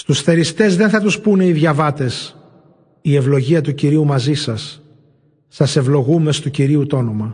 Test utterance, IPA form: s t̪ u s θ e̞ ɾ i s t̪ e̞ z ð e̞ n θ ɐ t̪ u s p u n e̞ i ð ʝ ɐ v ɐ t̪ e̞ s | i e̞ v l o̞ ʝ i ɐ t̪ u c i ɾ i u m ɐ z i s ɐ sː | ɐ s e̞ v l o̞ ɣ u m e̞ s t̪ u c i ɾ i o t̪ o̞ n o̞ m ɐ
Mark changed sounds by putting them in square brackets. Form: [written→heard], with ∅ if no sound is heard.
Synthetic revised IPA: s t̪ u s θ e̞ ɾ i s t̪ e̞ z ð e̞ n θ ɐ t̪ u s p u n e̞ i ð ʝ ɐ v ɐ t̪ e̞ s | i e̞ v l o̞ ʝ i ɐ t̪ u c i ɾ i u m ɐ z i s ɐ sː | ɐ s e̞ v l o̞ ɣ u m e̞ s t̪ u c i ɾ i [o→u] t̪ o̞ n o̞ m ɐ